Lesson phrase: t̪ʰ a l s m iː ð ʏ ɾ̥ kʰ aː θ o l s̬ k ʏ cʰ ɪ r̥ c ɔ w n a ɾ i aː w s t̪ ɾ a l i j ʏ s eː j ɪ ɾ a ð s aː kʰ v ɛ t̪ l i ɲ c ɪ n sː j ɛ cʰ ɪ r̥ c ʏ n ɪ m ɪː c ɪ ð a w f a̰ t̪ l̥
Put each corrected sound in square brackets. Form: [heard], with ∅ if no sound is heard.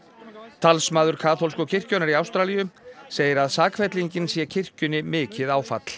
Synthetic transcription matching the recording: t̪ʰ a l s m [aː] ð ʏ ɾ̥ kʰ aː θ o l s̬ k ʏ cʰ ɪ r̥ c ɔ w n a ɾ i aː w s t̪ ɾ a l i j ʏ s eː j ɪ ɾ a ð s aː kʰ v ɛ t̪ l i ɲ c ɪ n [s] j ɛ cʰ ɪ r̥ c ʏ n ɪ m ɪː c ɪ ð a w f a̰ t̪ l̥